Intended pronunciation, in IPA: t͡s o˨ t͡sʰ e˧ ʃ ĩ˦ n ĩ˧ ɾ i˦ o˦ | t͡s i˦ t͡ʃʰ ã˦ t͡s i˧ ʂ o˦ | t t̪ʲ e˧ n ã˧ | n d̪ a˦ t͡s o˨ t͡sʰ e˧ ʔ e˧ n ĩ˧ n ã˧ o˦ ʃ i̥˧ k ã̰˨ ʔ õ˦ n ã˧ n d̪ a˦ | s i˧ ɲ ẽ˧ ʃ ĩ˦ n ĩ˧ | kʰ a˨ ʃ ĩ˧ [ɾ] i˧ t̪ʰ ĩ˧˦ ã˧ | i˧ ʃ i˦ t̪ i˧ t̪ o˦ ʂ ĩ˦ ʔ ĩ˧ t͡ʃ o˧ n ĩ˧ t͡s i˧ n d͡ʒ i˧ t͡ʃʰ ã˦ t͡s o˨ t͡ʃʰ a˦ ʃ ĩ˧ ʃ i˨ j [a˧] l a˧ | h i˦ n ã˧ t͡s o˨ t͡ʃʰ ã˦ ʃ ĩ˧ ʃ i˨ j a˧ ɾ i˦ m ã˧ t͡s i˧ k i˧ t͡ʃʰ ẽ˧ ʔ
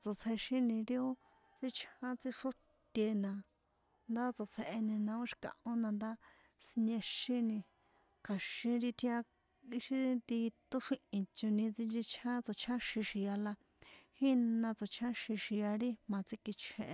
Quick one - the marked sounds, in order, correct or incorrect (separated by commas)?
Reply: correct, correct